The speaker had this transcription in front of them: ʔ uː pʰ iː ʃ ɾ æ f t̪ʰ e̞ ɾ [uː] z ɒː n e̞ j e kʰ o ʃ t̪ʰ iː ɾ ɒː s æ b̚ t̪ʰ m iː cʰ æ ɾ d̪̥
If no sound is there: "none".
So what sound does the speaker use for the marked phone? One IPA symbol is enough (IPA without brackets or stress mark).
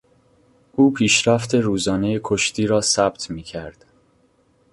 uː